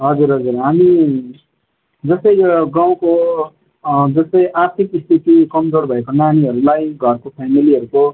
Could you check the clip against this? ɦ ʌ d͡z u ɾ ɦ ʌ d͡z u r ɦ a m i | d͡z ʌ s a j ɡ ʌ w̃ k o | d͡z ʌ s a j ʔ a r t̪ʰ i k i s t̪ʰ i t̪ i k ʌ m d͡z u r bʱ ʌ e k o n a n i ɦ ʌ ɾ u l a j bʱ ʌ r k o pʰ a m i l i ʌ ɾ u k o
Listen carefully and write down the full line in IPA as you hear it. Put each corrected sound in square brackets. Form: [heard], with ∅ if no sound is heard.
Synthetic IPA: ɦ ʌ d͡z u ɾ ɦ ʌ d͡z u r ɦ a m i | d͡z ʌ s [ʌ] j ɡ [a] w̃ k o | d͡z ʌ s [ʌ] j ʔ a r t̪ʰ i k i s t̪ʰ i t̪ i k ʌ m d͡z [o] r bʱ ʌ e k o n a n i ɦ ʌ ɾ u l a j [ɡʱ] ʌ r k o pʰ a m i l i ʌ ɾ u k o